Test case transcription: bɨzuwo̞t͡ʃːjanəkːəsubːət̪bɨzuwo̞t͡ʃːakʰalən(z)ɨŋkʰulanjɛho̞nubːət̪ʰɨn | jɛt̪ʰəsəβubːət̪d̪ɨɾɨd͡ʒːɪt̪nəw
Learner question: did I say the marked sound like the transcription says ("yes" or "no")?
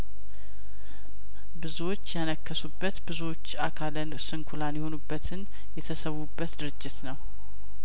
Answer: no